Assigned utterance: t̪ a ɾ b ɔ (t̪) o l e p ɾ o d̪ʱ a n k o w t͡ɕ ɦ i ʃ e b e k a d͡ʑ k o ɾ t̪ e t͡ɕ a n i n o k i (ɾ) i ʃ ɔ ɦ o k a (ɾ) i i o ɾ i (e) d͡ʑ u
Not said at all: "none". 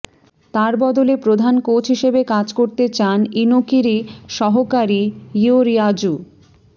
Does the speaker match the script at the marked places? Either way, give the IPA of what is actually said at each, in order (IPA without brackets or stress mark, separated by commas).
d̪, ɾ, ɾ, a